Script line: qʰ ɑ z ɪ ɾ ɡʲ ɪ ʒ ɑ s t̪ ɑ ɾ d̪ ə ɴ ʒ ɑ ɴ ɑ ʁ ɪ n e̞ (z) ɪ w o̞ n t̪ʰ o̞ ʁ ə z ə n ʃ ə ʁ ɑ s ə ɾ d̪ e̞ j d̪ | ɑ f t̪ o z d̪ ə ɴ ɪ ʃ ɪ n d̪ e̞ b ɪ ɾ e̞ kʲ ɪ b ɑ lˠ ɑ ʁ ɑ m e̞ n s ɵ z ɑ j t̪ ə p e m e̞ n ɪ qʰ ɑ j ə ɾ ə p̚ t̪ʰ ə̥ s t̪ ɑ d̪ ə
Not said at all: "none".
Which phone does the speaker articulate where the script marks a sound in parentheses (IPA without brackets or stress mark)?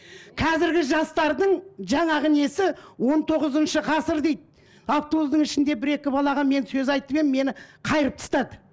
s